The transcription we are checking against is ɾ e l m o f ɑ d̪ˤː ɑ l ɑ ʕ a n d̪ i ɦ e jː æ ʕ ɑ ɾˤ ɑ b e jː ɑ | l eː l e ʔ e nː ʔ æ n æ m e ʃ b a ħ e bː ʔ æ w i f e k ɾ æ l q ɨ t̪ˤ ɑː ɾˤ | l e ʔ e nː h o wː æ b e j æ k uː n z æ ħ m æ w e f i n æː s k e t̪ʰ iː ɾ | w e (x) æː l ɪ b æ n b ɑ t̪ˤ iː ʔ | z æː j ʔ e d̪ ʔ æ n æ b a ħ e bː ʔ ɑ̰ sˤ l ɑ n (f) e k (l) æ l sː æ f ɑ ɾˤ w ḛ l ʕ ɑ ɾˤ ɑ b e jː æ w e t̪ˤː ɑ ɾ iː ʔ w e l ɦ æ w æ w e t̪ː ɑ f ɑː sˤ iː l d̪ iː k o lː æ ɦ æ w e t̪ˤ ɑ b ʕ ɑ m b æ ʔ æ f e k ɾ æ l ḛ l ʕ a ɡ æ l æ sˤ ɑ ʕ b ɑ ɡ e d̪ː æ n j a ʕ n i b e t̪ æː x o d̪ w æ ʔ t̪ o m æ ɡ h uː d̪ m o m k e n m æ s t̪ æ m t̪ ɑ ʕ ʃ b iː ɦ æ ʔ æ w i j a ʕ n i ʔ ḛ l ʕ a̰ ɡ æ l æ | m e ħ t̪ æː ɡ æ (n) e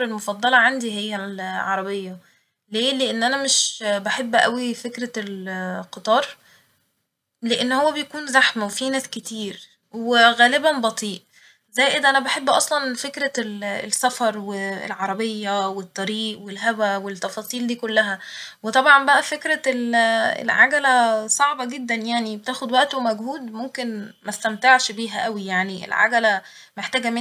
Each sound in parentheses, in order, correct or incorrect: incorrect, correct, incorrect, incorrect

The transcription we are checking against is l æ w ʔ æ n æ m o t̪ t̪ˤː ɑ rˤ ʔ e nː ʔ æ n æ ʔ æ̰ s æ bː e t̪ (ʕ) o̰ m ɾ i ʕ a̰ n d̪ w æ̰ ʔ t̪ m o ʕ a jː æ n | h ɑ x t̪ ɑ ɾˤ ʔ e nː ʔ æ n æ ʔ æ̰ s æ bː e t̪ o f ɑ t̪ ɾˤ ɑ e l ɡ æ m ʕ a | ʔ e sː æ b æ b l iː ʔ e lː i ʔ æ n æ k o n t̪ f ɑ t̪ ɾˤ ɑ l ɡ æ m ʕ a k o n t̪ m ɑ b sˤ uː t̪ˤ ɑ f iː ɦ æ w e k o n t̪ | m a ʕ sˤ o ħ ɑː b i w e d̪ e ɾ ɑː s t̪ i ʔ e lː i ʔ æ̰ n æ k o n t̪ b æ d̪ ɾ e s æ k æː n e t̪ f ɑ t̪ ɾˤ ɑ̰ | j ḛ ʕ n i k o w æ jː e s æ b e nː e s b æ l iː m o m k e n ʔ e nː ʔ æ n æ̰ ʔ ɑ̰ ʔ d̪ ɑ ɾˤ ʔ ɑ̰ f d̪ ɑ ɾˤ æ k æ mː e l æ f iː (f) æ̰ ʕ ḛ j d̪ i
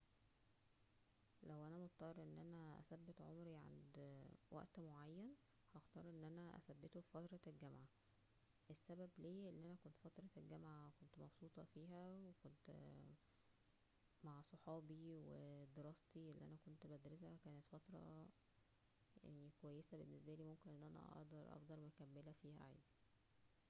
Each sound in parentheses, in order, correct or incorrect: correct, incorrect

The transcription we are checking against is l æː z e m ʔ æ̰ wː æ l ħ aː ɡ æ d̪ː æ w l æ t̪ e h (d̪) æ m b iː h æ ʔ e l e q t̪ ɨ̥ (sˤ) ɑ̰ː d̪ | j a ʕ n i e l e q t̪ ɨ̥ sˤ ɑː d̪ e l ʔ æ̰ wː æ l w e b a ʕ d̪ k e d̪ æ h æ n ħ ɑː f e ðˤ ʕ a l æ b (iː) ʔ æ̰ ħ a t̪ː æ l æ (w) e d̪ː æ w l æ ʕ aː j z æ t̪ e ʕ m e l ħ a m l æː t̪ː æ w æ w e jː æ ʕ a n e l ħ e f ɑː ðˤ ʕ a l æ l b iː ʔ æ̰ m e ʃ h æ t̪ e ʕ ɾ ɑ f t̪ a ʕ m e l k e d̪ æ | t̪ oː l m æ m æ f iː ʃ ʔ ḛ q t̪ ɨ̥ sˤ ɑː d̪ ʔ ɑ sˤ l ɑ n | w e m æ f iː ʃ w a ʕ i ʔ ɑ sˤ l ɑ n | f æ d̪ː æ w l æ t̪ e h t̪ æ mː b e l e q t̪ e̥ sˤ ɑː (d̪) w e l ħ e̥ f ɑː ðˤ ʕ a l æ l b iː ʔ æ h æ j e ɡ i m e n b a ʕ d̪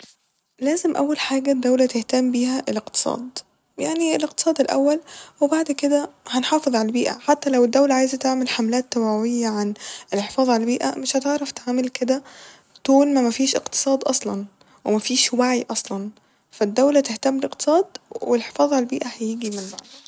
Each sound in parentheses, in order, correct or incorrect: incorrect, correct, correct, correct, correct

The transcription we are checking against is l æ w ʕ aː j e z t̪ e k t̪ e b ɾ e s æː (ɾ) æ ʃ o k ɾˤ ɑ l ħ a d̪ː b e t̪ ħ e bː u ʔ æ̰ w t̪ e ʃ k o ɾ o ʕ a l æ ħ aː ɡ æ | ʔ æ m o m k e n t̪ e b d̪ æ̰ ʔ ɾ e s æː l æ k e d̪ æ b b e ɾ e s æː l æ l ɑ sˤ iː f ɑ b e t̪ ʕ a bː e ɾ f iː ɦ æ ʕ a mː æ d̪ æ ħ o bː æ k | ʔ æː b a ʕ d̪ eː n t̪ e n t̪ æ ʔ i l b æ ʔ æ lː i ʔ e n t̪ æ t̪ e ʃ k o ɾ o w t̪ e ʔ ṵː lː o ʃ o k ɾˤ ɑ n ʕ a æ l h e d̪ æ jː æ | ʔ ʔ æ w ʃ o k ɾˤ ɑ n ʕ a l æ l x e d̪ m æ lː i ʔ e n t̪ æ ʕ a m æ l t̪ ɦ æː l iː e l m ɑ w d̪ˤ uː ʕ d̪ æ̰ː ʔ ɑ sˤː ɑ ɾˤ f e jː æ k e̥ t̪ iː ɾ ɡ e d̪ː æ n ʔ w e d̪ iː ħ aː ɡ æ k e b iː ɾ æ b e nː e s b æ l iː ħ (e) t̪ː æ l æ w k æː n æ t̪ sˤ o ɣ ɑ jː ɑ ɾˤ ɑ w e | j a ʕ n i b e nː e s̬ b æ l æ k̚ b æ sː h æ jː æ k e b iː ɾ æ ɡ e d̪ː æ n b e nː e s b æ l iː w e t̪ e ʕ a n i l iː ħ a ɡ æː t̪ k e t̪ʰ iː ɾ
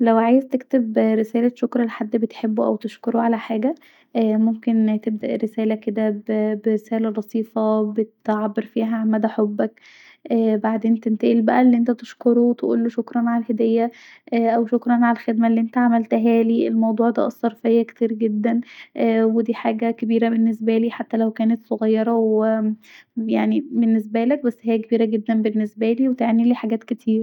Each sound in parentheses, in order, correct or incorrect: incorrect, incorrect

